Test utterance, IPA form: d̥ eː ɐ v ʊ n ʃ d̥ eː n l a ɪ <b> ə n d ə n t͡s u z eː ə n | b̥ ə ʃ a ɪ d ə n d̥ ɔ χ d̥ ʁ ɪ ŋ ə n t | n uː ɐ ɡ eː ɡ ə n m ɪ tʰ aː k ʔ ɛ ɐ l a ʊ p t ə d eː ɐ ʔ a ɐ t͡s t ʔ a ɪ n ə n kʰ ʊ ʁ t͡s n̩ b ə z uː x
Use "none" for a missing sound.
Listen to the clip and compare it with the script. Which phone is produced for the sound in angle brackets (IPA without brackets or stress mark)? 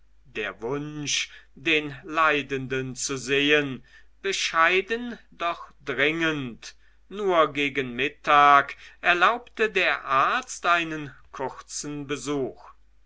d